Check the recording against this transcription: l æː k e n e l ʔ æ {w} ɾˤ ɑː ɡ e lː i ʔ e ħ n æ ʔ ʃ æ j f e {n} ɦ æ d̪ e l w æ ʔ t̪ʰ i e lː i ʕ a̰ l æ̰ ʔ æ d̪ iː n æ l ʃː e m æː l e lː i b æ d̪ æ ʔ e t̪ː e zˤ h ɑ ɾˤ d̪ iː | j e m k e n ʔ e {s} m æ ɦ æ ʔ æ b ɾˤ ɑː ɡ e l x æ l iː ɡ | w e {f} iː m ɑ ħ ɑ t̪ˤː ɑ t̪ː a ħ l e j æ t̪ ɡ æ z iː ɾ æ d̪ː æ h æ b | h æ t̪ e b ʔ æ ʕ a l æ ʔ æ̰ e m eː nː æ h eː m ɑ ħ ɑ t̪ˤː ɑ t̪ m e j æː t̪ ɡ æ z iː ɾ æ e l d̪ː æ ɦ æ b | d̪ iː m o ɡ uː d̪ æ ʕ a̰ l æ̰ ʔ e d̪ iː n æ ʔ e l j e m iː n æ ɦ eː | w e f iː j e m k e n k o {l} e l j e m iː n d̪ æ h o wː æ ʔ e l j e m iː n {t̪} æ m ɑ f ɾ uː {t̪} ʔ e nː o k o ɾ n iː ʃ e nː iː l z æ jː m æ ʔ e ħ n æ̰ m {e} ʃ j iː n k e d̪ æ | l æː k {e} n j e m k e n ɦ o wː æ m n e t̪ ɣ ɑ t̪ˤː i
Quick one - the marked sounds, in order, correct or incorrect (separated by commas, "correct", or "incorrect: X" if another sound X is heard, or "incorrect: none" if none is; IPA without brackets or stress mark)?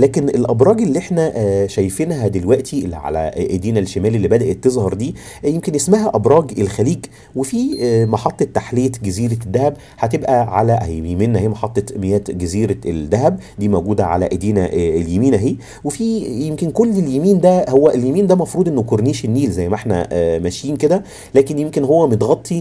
incorrect: b, correct, correct, correct, incorrect: lː, incorrect: d̪, incorrect: d̪, incorrect: æ, correct